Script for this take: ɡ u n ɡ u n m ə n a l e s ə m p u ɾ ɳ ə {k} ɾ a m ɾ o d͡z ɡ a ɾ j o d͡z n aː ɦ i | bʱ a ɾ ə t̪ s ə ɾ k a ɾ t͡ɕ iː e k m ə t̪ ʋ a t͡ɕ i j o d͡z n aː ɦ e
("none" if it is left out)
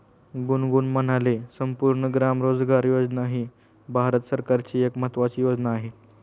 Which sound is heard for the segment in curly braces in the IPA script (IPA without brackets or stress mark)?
ɡ